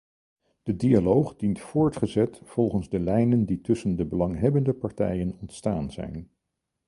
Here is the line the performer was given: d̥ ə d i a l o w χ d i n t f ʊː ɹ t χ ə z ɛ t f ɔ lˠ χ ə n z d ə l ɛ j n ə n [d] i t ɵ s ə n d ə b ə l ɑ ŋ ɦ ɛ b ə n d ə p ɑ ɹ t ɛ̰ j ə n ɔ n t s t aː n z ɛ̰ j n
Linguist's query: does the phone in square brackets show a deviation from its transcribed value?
no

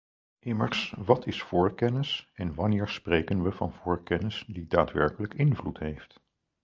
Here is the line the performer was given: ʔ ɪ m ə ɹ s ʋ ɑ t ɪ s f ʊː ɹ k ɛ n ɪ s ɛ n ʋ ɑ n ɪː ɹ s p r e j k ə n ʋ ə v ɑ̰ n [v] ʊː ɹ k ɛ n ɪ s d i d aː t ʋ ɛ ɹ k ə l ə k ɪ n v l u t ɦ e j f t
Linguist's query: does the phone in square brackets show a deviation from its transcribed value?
no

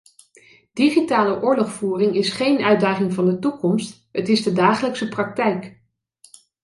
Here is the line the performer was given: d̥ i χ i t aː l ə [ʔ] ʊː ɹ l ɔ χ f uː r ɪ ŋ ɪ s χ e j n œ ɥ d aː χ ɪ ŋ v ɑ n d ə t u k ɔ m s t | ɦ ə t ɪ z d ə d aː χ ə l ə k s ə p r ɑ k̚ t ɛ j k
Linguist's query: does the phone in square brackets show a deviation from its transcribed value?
no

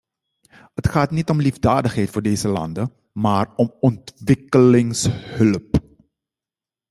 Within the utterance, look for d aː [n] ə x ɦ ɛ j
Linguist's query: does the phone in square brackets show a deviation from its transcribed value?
yes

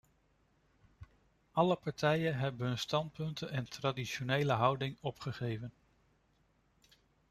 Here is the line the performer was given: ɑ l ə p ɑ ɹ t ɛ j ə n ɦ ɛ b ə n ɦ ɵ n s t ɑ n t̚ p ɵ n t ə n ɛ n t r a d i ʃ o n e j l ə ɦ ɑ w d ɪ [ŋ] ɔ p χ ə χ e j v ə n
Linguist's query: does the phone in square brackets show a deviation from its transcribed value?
no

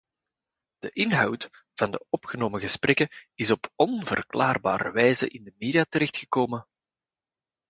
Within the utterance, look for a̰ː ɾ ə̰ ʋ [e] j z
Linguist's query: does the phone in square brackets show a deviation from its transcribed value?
yes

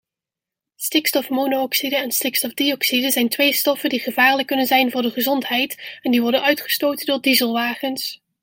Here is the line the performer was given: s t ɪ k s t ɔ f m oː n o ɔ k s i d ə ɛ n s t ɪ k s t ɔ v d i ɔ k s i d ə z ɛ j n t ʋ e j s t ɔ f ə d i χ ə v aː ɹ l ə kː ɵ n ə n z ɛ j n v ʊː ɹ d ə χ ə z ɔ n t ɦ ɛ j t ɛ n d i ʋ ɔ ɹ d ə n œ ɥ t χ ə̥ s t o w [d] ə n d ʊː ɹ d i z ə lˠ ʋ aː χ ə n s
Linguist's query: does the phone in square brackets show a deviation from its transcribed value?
yes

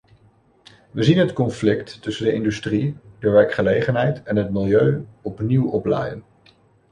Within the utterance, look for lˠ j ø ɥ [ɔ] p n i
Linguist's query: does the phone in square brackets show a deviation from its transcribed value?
no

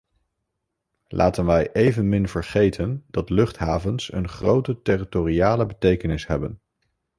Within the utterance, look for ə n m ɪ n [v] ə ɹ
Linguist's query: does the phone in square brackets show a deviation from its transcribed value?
no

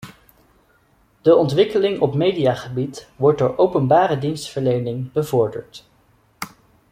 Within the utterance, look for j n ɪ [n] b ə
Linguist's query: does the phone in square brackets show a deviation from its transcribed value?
yes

